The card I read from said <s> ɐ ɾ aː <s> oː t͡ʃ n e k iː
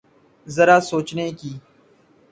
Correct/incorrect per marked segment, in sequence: incorrect, correct

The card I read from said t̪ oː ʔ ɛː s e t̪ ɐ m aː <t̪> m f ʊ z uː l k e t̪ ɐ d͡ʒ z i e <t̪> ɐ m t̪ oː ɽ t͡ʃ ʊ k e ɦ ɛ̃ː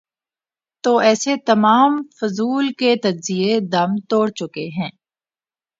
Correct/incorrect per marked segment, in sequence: incorrect, incorrect

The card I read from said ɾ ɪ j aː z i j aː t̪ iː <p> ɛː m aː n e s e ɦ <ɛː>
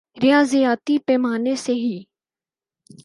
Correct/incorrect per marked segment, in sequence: correct, incorrect

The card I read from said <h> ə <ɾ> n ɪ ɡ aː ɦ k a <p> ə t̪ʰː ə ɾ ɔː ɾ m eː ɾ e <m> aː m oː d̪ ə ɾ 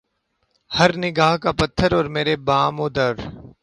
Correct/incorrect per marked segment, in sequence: correct, correct, correct, incorrect

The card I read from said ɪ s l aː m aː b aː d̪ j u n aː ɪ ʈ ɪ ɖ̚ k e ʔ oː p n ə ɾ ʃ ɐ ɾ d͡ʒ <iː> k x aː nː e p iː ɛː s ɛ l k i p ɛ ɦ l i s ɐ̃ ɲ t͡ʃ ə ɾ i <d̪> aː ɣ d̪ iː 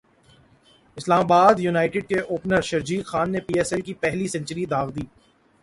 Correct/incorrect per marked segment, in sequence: correct, correct

